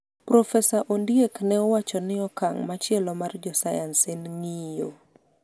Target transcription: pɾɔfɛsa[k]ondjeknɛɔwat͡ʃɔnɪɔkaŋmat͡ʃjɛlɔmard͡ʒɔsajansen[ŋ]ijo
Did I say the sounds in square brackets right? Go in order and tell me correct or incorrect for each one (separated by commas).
incorrect, correct